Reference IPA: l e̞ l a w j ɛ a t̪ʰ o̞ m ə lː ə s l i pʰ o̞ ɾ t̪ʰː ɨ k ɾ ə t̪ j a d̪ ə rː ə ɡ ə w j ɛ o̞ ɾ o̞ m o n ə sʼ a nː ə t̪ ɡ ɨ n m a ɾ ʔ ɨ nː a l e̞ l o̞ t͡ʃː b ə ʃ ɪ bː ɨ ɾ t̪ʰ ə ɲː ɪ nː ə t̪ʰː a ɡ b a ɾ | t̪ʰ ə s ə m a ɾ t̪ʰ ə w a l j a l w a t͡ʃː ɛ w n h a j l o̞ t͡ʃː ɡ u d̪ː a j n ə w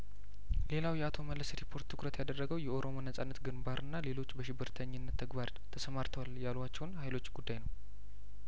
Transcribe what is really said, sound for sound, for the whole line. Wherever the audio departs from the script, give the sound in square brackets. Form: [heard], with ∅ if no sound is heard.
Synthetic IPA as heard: l e̞ l a w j ɛ a t̪ʰ o̞ m ə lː ə s [ɾ] i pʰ o̞ ɾ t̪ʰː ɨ k ɾ ə t̪ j a d̪ ə rː ə ɡ ə w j ɛ o̞ ɾ o̞ m o n ə sʼ a nː ə t̪ ɡ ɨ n [b] a ɾ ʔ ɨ nː a l e̞ l o̞ t͡ʃː b ə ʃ ɪ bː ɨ ɾ t̪ʰ ə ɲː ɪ nː ə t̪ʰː [ə] ɡ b a ɾ | t̪ʰ ə s ə m a ɾ t̪ʰ ə w a l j a l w a t͡ʃː ɛ w n h a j l o̞ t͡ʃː ɡ u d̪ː a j n ə w